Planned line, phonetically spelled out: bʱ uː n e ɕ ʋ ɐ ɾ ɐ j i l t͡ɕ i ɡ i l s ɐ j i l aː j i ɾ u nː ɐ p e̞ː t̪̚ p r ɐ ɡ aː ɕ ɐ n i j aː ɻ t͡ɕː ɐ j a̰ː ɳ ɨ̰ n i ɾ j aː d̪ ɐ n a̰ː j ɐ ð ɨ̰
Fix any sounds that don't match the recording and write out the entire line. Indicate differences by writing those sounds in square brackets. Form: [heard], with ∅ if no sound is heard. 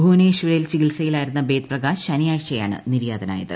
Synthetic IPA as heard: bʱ uː n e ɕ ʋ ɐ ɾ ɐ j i l t͡ɕ i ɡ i l s ɐ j i l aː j i ɾ u nː ɐ [b] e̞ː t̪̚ p r ɐ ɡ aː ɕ ɐ n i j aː ɻ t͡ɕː ɐ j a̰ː ɳ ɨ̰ n i ɾ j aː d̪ ɐ n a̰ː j ɐ ð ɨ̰